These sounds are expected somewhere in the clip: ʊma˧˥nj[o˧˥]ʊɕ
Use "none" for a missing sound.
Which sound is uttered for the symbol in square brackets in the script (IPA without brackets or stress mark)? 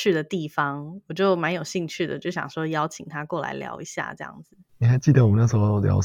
o˨˩